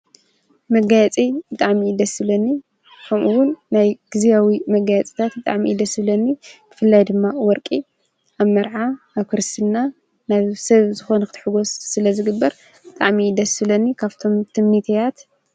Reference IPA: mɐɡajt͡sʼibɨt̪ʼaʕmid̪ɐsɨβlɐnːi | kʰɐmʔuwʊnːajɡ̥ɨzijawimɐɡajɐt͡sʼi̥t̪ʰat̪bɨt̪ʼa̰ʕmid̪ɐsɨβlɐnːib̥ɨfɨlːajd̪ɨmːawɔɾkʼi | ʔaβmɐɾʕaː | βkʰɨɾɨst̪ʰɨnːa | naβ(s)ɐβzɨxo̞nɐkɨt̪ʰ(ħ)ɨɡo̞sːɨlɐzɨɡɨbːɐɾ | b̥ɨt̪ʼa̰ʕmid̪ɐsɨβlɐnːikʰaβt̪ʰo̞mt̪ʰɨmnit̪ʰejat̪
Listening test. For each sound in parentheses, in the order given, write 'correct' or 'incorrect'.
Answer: correct, correct

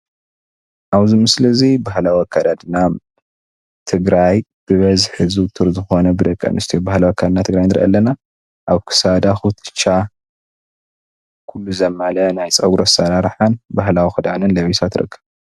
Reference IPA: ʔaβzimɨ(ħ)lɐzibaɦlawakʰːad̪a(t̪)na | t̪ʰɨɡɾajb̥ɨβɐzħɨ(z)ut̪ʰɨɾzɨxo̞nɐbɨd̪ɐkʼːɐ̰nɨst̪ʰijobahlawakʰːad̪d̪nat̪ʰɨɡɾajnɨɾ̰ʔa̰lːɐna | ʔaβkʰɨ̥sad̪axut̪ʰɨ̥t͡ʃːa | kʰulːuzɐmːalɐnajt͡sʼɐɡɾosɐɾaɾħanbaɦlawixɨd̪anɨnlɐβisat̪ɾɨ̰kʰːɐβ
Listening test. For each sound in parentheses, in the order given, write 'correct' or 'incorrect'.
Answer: incorrect, incorrect, correct

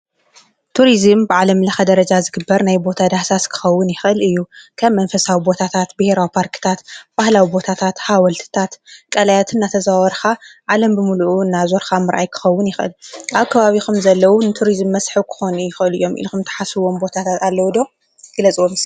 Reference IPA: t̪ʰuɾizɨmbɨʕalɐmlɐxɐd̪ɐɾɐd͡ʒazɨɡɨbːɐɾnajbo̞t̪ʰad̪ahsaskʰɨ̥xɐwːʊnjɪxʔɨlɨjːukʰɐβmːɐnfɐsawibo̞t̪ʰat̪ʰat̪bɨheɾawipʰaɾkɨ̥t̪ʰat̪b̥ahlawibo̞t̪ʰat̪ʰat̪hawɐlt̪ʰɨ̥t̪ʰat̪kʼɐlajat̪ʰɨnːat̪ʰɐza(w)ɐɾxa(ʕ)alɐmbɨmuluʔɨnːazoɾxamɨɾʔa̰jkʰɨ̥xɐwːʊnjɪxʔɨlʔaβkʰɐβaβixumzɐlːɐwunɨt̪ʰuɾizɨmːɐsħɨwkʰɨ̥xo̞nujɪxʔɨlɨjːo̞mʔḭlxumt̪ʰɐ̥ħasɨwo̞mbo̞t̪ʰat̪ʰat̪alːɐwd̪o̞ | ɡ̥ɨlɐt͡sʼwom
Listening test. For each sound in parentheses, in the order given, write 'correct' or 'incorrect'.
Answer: correct, correct

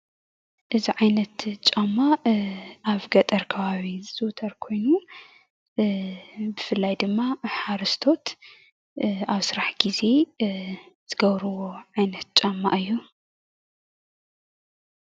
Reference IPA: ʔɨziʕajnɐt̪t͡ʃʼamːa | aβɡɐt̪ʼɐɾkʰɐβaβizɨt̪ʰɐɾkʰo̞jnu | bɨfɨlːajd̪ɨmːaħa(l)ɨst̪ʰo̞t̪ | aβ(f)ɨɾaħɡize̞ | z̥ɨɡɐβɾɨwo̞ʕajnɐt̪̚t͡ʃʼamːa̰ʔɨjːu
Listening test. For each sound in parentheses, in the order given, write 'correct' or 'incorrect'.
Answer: incorrect, incorrect

